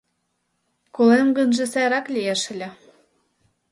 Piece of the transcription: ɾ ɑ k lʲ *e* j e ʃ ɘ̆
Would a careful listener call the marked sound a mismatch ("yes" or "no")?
yes